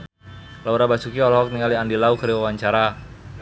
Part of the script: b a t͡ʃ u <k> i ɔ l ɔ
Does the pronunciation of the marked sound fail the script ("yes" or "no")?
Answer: no